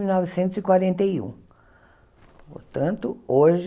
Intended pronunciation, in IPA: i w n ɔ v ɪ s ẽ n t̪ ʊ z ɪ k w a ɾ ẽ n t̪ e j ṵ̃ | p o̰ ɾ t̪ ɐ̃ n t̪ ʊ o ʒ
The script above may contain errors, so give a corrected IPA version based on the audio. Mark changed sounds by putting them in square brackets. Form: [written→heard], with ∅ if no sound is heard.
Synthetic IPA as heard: i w n ɔ v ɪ s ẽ n t̪ ʊ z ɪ k w a ɾ ẽ n t̪ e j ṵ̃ | p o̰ ɾ t̪ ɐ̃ n t̪ ʊ o ʒ